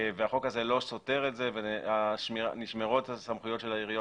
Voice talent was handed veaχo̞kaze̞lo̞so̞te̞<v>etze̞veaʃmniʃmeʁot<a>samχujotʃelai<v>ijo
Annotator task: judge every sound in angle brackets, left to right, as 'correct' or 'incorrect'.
incorrect, correct, incorrect

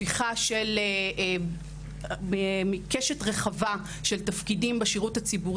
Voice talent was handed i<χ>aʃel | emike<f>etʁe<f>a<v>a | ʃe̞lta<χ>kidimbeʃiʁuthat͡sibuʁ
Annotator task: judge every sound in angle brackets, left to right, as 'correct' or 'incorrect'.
correct, incorrect, incorrect, correct, incorrect

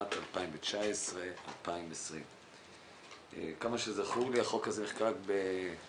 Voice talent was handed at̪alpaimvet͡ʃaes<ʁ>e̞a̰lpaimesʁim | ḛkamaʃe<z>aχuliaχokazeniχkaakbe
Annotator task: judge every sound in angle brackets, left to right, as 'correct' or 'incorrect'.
correct, correct

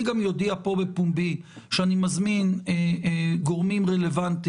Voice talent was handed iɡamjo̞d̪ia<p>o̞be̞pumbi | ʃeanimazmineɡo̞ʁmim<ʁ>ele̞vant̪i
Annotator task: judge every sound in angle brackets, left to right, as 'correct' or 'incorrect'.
correct, correct

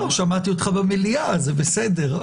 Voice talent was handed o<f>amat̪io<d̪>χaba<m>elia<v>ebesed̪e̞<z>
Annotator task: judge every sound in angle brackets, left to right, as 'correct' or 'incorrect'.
incorrect, incorrect, correct, incorrect, incorrect

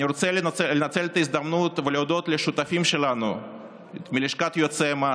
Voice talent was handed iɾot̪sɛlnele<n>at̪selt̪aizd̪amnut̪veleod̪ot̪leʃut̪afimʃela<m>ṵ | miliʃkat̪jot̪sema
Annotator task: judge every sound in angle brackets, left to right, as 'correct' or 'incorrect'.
correct, incorrect

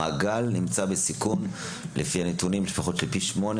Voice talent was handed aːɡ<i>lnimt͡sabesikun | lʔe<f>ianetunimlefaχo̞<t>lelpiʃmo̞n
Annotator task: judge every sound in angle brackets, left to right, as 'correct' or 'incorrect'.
incorrect, correct, correct

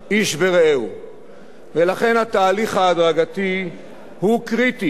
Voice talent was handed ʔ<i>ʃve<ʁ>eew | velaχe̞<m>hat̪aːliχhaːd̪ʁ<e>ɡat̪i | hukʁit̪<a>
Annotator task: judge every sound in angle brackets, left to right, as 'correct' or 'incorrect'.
correct, correct, incorrect, incorrect, incorrect

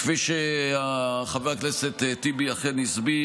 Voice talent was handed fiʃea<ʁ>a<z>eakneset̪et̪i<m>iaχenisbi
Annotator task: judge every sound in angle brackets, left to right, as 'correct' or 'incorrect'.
incorrect, incorrect, incorrect

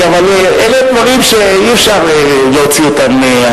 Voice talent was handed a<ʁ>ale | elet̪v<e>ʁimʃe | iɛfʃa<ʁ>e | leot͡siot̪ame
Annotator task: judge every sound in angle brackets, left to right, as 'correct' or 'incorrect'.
incorrect, incorrect, correct

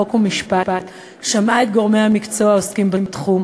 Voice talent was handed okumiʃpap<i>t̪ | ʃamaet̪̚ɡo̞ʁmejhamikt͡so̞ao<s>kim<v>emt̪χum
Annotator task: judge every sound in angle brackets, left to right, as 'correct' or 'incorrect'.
incorrect, correct, incorrect

